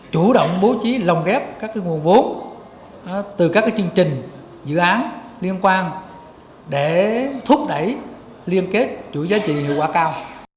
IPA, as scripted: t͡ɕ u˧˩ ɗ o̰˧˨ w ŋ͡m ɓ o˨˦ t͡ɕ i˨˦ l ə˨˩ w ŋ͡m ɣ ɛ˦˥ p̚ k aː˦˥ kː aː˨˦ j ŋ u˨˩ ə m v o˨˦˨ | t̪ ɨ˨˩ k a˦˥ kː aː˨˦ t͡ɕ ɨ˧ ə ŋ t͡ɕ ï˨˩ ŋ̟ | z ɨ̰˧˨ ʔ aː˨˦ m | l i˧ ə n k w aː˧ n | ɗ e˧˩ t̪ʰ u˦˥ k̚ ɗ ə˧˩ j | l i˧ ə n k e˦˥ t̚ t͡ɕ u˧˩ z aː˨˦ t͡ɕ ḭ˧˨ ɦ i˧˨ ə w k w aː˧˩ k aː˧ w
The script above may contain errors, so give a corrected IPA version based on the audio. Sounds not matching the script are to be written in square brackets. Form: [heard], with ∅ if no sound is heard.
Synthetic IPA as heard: t͡ɕ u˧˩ ɗ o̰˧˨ w ŋ͡m ɓ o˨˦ t͡ɕ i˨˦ l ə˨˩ w ŋ͡m ɣ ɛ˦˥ p̚ k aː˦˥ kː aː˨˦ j ŋ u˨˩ ə [n] v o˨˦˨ | t̪ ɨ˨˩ k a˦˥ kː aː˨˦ t͡ɕ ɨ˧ ə ŋ t͡ɕ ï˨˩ ŋ̟ | z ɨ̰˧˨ ʔ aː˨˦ [n] | l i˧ ə n k w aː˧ n | ɗ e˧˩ t̪ʰ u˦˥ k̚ ɗ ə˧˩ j | l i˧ ə n k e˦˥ t̚ t͡ɕ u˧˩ z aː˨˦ t͡ɕ ḭ˧˨ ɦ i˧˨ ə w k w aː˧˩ k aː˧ w